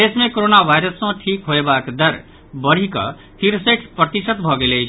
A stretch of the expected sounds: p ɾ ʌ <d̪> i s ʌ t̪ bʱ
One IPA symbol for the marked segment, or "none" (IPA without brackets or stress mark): t̪